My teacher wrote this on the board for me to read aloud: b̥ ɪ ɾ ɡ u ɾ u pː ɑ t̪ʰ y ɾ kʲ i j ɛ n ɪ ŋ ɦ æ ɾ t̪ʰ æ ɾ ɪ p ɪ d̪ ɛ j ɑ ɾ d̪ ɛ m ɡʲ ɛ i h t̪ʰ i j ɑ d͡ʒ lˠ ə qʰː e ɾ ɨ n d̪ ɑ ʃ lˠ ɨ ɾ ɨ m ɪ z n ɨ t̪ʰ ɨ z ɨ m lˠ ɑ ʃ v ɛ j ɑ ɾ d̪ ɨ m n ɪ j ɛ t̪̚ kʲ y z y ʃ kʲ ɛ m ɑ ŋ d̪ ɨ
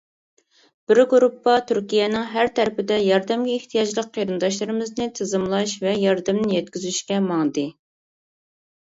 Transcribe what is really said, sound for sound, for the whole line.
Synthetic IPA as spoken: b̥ ɪ ɾ ɡ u ɾ u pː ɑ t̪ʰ y ɾ kʲ i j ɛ n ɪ ŋ ɦ æ ɾ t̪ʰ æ ɾ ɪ p ɪ d̪ ɛ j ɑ ɾ d̪ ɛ m ɡʲ ɛ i h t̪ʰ i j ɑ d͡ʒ lˠ ə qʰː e ɾ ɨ n d̪ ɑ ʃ lˠ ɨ ɾ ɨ m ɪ z n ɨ t̪ʰ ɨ z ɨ m lˠ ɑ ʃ v ɛ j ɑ ɾ d̪ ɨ m n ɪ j ɛ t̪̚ kʲ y z y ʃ kʲ ɛ m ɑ ŋ d̪ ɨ

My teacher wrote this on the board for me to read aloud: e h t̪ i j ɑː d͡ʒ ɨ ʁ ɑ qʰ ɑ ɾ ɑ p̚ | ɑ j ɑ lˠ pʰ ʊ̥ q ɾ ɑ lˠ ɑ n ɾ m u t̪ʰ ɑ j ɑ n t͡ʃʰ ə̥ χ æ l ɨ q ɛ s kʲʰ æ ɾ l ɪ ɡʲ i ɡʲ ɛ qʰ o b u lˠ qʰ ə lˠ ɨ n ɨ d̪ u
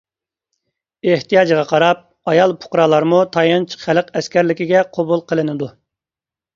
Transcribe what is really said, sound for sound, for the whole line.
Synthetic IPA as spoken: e h t̪ i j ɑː d͡ʒ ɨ ʁ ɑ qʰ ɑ ɾ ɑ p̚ | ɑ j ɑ lˠ pʰ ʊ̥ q ɾ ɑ lˠ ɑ ɾ m u t̪ʰ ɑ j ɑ n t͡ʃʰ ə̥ χ æ l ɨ q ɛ s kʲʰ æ ɾ l ɪ kʲ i ɡʲ ɛ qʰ o b u lˠ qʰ ə lˠ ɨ n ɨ d̪ u

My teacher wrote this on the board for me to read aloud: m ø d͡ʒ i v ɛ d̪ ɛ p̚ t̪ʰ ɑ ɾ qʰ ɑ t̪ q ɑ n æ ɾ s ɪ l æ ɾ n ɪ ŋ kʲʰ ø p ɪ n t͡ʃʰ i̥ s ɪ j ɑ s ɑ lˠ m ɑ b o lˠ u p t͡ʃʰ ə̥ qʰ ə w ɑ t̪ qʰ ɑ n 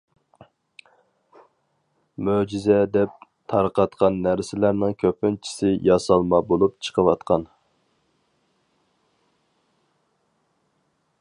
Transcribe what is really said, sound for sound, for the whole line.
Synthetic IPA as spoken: m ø d͡ʒ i z ɛ d̪ ɛ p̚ t̪ʰ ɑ ɾ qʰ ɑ t̪ q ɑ nː æ ɾ s ɪ l æ ɾ n ɪ ŋ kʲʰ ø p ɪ n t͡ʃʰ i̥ s ɪ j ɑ s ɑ lˠ m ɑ b o lˠ u p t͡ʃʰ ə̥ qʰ ə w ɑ t̪ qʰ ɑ n

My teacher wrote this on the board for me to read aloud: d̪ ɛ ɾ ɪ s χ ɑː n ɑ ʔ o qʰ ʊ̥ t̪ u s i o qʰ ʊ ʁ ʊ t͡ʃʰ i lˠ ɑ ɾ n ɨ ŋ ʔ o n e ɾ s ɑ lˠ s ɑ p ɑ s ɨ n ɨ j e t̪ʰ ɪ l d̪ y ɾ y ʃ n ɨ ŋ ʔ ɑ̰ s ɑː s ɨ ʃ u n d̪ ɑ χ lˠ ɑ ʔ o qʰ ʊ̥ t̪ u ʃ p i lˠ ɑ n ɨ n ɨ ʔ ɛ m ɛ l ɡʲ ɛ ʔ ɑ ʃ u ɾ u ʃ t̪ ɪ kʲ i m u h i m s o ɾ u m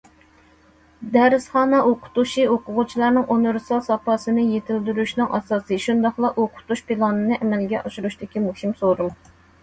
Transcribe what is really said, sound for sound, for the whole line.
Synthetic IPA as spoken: d̪ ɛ ɾ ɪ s χ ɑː n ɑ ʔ o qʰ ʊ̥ t̪ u ʃ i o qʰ ʊ ʁ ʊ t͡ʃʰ i lˠ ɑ ɾ n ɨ ŋ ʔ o n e ɾ s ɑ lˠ s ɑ p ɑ s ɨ n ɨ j e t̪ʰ ɪ l d̪ y ɾ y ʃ n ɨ ŋ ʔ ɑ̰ s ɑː s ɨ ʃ u n d̪ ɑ χ lˠ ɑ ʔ o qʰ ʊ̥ t̪ u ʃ p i lˠ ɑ n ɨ n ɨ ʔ ɛ m ɛ l ɡʲ ɛ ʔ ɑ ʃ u ɾ u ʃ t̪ ɪ kʲ i m u h i m s o ɾ u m

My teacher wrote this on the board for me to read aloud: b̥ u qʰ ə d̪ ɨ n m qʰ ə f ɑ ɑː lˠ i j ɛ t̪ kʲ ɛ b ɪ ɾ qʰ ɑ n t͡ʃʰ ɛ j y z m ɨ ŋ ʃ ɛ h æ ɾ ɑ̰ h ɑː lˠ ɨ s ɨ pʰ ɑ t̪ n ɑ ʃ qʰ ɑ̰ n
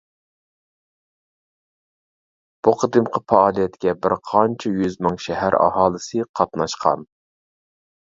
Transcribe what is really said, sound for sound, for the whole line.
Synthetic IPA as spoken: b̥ u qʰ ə d̪ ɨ m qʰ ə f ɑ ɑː lˠ i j ɛ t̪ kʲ ɛ b ɪ ɾ qʰ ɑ n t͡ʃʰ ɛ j y z m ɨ ŋ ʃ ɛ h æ ɾ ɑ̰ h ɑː lˠ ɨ s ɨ qʰ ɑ t̪ n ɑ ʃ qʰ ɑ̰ n

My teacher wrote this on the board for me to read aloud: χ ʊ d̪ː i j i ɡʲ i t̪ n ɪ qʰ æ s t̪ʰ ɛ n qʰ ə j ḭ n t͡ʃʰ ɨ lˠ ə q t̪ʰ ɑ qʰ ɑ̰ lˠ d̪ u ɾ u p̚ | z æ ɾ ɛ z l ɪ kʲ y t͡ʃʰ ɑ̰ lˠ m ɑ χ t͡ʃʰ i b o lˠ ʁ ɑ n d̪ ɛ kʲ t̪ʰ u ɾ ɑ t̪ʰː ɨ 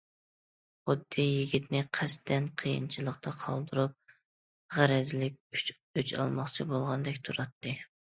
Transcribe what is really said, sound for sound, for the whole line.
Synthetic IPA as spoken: χ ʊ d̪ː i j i ɡʲ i t̪ n ɪ qʰ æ s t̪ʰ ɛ n qʰ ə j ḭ n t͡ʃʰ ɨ lˠ ə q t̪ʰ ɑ qʰ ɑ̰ lˠ d̪ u ɾ u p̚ | ʁ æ ɾ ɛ z l ɪ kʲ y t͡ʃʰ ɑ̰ lˠ m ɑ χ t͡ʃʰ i b o lˠ ʁ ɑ n d̪ ɛ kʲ t̪ʰ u ɾ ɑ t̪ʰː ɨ

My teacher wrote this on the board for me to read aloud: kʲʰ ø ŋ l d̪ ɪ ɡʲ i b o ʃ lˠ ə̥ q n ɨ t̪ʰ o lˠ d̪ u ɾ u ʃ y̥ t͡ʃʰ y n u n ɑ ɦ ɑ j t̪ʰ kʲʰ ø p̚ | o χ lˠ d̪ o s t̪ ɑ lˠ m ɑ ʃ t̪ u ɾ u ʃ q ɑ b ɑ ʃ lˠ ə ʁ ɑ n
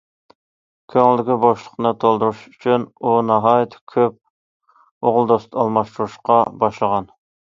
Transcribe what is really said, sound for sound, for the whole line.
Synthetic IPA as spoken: kʲʰ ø ŋ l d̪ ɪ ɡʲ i b o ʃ lˠ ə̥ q n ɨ t̪ʰ o lˠ d̪ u ɾ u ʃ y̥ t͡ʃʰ y n u n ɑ ɦ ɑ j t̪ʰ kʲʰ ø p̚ | o ʁ lˠ d̪ o s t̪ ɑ lˠ m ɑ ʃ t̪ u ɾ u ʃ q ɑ b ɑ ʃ lˠ ə ʁ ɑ n

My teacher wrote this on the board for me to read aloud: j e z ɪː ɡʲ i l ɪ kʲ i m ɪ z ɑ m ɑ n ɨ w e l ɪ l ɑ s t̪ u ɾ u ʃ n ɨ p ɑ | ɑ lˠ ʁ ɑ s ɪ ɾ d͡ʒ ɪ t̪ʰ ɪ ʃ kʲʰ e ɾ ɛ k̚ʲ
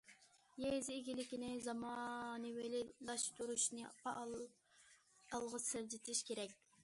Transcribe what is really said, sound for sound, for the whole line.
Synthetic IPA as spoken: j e z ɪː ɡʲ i l ɪ kʲ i n ɪ z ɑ m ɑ n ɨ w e l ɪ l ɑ ʃ t̪ u ɾ u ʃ n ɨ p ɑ | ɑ lˠ ʁ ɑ s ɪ ɾ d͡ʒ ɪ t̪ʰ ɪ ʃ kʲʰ e ɾ ɛ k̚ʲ

